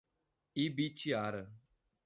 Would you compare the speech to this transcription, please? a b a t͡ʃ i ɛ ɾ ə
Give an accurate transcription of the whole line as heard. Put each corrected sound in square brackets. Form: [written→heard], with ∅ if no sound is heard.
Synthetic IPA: [a→i] b [a→i] t͡ʃ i [ɛ→a] ɾ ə